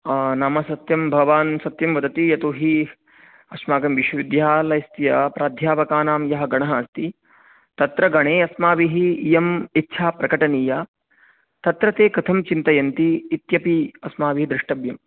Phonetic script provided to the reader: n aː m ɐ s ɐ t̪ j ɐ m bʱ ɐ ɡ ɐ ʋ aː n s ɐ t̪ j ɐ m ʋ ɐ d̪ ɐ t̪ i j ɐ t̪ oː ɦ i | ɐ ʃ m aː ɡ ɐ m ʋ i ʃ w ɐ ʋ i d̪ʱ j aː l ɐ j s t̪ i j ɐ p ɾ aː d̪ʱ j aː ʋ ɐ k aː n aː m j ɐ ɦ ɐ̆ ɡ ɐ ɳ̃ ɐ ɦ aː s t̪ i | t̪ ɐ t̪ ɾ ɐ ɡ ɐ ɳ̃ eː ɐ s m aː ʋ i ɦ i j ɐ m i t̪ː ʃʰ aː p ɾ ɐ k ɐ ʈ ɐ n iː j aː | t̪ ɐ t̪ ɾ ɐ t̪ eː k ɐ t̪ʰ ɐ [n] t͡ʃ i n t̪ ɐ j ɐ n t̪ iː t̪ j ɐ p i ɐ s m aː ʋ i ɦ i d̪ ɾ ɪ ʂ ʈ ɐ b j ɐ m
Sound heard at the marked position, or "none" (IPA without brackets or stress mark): m